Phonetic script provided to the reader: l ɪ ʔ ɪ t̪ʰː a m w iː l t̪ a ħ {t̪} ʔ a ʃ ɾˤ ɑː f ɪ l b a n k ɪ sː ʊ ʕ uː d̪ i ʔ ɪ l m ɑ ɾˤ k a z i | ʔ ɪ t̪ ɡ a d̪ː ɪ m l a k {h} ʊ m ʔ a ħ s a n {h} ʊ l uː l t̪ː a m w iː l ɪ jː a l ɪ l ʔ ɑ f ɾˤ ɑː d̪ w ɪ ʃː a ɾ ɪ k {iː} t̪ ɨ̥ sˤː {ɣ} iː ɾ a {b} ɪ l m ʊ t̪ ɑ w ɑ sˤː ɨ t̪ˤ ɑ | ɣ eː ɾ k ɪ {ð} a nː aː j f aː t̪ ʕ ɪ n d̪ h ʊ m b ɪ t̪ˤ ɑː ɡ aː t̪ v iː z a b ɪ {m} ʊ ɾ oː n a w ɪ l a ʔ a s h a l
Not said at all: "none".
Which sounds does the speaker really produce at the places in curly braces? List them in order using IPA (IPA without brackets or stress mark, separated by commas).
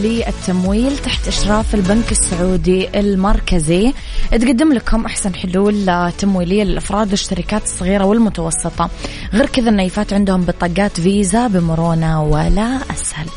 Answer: t̪, h, ħ, aː, ɣ, w, ð, m